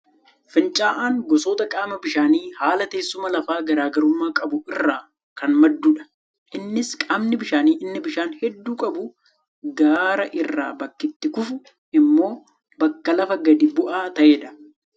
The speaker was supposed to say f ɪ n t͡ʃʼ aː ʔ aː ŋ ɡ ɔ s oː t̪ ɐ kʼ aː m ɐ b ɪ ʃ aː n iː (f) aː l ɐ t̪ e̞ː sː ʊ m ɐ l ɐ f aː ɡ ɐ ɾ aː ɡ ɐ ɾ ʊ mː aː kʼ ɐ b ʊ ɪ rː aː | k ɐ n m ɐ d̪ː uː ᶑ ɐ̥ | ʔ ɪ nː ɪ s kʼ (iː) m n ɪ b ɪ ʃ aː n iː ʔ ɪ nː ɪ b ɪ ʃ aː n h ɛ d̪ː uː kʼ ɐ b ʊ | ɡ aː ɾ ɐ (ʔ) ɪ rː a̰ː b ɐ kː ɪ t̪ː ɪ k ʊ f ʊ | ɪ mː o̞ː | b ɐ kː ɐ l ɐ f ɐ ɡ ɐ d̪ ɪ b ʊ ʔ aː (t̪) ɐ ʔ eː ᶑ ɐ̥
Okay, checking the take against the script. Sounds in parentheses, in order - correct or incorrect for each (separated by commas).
incorrect, incorrect, correct, correct